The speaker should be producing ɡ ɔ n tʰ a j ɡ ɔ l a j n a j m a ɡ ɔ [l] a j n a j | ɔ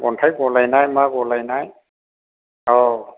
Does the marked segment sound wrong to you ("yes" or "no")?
no